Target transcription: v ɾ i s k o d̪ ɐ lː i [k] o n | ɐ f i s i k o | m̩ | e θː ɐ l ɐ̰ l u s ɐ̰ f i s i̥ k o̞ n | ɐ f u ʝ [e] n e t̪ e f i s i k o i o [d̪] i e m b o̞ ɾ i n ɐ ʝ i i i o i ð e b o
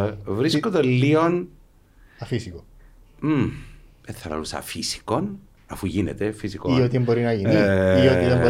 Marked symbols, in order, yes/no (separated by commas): no, no, no